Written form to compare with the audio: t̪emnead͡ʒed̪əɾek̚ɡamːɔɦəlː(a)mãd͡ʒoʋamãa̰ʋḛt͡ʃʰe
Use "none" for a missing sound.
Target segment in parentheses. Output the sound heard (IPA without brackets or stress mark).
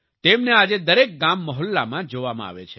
a